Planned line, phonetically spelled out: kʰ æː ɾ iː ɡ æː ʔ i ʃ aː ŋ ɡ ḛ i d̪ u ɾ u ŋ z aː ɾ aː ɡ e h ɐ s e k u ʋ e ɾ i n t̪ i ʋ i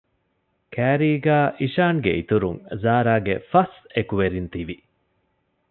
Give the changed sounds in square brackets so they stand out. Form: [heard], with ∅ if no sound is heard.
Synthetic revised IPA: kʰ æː ɾ iː ɡ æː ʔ i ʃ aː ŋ ɡ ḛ i [t̪] u ɾ u ŋ z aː ɾ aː ɡ e [f] ɐ s e k u ʋ e ɾ i n t̪ i ʋ i